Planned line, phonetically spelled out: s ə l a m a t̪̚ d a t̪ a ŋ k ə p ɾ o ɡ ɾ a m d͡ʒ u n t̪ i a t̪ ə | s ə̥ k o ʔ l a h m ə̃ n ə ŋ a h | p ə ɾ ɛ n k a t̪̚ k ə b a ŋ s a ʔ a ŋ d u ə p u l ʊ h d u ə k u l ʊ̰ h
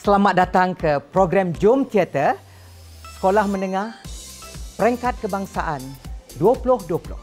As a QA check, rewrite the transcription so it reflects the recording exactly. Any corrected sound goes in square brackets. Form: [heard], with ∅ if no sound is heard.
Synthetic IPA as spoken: s ə l a m a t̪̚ d a t̪ a ŋ k ə p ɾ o ɡ ɾ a m d͡ʒ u [m] t̪ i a t̪ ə | s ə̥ k o [∅] l a h m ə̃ n ə ŋ a h | p ə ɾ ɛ [ŋ] k a t̪̚ k ə b a ŋ s a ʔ a [n] d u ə p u l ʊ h d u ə [p] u l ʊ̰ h